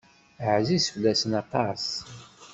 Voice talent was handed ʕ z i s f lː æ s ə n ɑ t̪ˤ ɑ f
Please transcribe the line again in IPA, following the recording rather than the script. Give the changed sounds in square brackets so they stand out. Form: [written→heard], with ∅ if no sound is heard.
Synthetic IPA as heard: ʕ z i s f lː æ s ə n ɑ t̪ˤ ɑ [f→s]